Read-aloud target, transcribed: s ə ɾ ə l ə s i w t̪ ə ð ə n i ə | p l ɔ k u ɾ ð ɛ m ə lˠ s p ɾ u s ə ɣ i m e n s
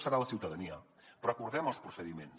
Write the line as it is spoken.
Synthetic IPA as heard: s ə ɾ a l ə s i w t̪ ə ð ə n i ə | p ɾ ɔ k u ɾ ð ɛ m ə lˠ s p ɾ u s ə ð i m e n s

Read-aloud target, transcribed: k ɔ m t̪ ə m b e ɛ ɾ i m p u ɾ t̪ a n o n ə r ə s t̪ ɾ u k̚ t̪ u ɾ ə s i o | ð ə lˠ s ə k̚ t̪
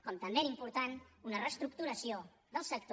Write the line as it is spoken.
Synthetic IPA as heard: k ɔ m t̪ ə m b e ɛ ɾ i m p u ɾ t̪ a n u n ə r ə s t̪ ɾ u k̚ t̪ u ɾ ə s i o | ð ə lˠ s ə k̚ t̪

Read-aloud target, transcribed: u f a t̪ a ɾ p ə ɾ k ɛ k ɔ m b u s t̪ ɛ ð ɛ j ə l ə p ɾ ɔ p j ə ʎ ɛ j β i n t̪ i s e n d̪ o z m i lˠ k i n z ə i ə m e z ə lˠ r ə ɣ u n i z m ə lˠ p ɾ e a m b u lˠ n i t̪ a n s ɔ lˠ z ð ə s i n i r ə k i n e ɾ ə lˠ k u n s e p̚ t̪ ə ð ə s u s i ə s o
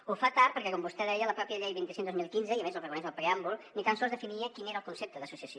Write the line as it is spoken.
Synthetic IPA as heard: u f a t̪ a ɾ p ə ɾ k ɛ k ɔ m b u s t̪ ɛ ð ɛ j ə l ə p ɾ ɔ p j ə ʎ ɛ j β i n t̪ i s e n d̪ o z m i lˠ k i n z ə i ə m e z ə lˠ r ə ɣ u n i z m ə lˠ p ɾ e a m b u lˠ n i t̪ a n s ɔ lˠ z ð ə f i n i ə k i n e ɾ ə lˠ k u n s e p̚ t̪ ə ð ə s u s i ə s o

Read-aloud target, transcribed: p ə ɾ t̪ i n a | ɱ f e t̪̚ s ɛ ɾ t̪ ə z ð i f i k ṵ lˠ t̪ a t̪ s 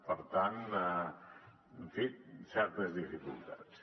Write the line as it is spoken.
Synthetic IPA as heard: p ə ɾ t̪ a n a | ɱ f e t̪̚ s ɛ ɾ t̪ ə z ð i f i k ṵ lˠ t̪ a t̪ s

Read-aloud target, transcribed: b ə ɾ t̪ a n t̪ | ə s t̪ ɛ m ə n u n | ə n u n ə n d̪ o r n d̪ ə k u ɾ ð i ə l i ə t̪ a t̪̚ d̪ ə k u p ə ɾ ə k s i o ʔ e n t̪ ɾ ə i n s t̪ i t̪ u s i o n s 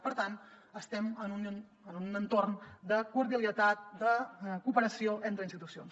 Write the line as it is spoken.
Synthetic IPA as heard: p ə ɾ t̪ a n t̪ | ə s t̪ ɛ m ə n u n | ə n u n ə n t̪ o r n d̪ ə k u ɾ ð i ə l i ə t̪ a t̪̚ d̪ ə k u p ə ɾ ə s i o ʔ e n t̪ ɾ ə i n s t̪ i t̪ u s i o n s

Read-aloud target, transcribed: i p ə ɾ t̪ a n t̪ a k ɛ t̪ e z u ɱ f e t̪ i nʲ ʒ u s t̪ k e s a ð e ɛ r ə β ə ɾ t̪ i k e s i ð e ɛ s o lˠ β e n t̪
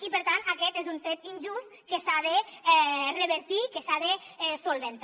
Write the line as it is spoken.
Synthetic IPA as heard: i p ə ɾ t̪ a n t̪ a k ɛ t̪ e z u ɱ f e t̪ i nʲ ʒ u s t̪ k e s a ð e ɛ r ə β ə ɾ t̪ i k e s a ð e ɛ s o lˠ β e n t̪

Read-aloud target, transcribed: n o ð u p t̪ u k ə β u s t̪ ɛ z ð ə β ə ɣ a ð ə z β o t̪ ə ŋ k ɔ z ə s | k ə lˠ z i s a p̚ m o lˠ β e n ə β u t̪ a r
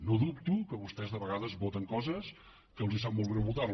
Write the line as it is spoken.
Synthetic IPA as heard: n o ð u p t̪ u k ə β u s t̪ ɛ z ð ə β ə ɣ a ð ə z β o t̪ ə ŋ k ɔ z ə s | k ə lˠ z i s a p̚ m o lˠ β e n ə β u t̪ a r

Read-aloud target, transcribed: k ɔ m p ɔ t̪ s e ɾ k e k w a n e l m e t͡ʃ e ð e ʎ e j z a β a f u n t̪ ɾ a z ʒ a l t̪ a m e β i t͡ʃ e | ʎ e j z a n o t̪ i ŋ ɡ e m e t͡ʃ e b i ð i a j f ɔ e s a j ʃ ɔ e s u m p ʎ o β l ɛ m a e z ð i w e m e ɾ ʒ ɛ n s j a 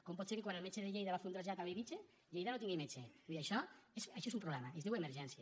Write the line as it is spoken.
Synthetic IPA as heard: k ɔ m p ɔ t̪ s e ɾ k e k w a n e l m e t͡ʃ e ð e ʎ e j ð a β a f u n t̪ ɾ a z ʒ a t̪ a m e β i t͡ʃ e | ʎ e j ð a n o t̪ i ŋ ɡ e m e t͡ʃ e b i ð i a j ʃ ɔ e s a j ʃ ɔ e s u m p ɾ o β l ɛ m a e z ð i w e m e ɾ ʒ ɛ n s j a

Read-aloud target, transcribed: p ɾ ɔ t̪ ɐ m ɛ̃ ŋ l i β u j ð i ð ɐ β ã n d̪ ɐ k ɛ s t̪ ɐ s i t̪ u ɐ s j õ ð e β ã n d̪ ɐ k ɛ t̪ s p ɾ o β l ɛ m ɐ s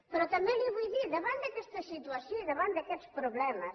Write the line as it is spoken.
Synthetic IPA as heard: p ɾ ɔ t̪ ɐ m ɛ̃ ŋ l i β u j ð i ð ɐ β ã n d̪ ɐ k ɛ s t̪ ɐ s i t̪ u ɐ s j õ ð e β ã n d̪ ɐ k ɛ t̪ s p ɾ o β l ɛ m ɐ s

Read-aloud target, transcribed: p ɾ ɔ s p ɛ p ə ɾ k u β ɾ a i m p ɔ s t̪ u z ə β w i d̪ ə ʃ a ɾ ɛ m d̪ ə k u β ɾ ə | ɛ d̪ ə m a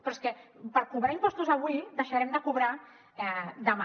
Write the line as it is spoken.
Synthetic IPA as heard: p ɾ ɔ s k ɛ p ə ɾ k u β ɾ a i m p ɔ s t̪ u z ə β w i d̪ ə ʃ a ɾ ɛ m d̪ ə k u β ɾ a | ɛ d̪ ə m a

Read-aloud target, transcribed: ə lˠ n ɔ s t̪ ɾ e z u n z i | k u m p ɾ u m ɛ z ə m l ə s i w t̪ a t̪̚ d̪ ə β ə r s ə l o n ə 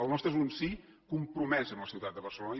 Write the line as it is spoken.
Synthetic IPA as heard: ə lˠ n ɔ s t̪ ɾ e z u n s i | k u m p ɾ u m ɛ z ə m l ə s i w t̪ a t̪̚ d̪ ə β ə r s ə l o n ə

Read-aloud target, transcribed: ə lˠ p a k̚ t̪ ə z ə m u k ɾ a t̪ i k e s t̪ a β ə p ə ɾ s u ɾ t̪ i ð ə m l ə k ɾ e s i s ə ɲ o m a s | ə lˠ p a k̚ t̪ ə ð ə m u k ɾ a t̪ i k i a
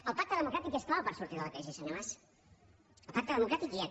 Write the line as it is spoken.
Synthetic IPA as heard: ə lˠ p a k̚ t̪ ə ð ə m u k ɾ a t̪ i k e s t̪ a β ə p ə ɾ s u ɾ t̪ i ð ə l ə k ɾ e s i s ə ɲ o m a s | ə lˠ p a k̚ t̪ ə ð ə m u k ɾ a t̪ i k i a

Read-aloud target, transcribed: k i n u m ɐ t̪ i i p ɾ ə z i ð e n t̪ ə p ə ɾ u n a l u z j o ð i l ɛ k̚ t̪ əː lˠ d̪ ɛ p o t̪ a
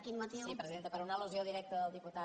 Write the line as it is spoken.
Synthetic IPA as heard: k i n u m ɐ t̪ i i p ɾ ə z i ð e n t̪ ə p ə ɾ u n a l u z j o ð i ɾ ɛ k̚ t̪ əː lˠ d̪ i p u t̪ a

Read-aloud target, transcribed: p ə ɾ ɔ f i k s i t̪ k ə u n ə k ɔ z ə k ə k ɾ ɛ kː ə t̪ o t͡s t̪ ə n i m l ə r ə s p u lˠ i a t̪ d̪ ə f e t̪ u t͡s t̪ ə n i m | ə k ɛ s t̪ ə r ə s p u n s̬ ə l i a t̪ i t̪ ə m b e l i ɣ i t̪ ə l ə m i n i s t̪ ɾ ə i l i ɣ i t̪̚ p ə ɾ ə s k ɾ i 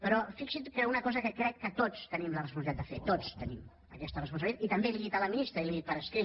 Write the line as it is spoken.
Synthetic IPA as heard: p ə ɾ ɔ f i k s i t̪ k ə u n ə k ɔ z ə k ə k ɾ ɛ kː ə t̪ o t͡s t̪ ə n i m l ə r ə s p u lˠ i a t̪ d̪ ə f e t̪ o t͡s t̪ ə n i m | ə k ɛ s t̪ ə r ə s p u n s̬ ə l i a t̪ i t̪ ə m b e l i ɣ i t̪ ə l ə m i n i s t̪ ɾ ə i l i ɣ i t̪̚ p ə ɾ ə s k ɾ i

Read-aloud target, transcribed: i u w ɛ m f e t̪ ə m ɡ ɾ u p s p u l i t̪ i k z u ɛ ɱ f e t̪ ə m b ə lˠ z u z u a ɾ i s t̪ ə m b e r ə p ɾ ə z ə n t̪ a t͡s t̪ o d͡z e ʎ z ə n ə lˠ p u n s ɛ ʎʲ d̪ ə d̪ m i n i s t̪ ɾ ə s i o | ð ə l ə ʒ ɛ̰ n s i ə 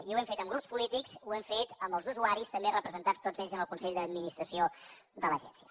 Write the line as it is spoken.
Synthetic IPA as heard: i u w ɛ m f e t̪ ə m ɡ ɾ u p s p u l i t̪ i k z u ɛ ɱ f e t̪ ə m b ə lˠ z u z u a ɾ i s t̪ ə m b e r ə p ɾ ə z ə n t̪ a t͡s t̪ o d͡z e ʎ z ə n ə lˠ k u n s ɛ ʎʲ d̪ ə d̪ m i n i s t̪ ɾ ə s i o | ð ə l ə ʒ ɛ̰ n s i ə

